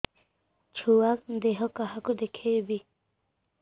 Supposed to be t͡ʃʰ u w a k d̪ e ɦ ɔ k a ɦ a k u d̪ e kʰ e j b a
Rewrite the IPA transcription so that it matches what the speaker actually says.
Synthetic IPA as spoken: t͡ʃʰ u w a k d̪ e ɦ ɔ k a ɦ a k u d̪ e kʰ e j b i